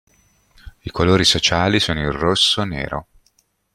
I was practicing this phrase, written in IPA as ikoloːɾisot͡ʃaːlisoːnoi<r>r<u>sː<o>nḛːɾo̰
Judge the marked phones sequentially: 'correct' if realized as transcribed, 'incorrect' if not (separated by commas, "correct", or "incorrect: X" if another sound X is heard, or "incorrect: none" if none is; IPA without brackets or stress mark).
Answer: correct, incorrect: o, correct